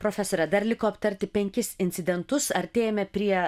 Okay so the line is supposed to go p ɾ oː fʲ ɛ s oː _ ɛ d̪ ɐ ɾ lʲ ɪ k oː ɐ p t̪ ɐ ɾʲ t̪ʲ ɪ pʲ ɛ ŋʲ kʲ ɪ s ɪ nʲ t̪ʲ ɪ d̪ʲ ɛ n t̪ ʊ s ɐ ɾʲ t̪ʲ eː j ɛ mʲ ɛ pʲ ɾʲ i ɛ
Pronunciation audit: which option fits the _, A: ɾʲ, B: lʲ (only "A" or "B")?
A